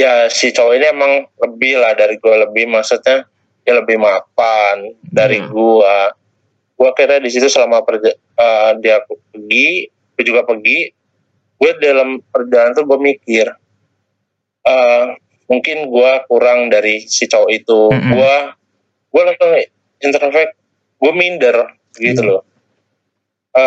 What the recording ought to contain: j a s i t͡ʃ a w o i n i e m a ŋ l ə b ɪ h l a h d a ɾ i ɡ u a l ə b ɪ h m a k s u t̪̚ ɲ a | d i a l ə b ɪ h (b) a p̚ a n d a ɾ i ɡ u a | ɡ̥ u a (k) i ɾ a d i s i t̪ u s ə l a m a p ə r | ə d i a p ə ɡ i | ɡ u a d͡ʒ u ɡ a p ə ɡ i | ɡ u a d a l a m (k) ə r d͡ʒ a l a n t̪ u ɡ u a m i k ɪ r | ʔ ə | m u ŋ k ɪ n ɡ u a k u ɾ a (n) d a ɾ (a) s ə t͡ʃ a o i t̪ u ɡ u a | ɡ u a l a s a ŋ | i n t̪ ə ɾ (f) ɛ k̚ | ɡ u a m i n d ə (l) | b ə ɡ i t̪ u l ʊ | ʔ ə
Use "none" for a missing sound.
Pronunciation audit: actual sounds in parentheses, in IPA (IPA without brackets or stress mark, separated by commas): m, k, p, ŋ, i, f, r